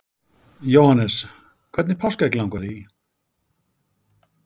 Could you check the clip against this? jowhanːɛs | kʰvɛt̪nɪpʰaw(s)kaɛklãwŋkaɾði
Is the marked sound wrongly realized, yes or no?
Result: no